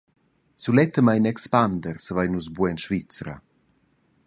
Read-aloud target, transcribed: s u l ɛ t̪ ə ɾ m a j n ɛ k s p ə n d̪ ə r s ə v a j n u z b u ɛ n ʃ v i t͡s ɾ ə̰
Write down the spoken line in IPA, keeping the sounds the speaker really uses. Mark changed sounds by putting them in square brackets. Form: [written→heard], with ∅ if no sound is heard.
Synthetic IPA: s u l ɛ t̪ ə [ɾ→∅] m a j n ɛ k s p [ə→a] n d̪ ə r s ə v a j n u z b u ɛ n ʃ v i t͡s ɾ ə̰